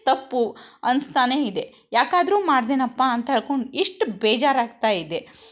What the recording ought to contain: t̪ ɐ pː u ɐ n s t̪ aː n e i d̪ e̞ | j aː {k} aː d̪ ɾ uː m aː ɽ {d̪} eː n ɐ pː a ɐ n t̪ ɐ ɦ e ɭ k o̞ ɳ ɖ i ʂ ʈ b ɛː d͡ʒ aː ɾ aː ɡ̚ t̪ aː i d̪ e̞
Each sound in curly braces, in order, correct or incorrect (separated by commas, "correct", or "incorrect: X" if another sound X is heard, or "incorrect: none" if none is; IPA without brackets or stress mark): correct, correct